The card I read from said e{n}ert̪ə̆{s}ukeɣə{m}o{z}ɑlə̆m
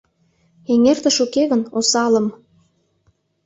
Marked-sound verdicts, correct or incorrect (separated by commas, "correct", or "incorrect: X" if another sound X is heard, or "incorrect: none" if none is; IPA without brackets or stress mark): incorrect: ŋ, incorrect: ʃ, incorrect: n, incorrect: s